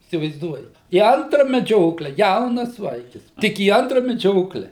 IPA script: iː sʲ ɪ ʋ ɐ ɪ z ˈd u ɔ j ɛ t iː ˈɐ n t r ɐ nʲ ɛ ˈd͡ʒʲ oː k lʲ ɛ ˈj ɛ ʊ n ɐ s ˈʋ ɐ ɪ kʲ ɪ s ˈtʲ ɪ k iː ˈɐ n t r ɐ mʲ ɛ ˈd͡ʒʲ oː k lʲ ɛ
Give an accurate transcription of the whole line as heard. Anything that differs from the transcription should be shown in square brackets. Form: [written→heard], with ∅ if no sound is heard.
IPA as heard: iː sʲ ɪ ʋ ɐ ɪ z ˈd u ɔ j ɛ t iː ˈɐ n t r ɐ [nʲ→mʲ] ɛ ˈd͡ʒʲ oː k lʲ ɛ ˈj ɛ ʊ n ɐ s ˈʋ ɐ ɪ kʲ ɪ s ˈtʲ ɪ k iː ˈɐ n t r ɐ mʲ ɛ ˈd͡ʒʲ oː k lʲ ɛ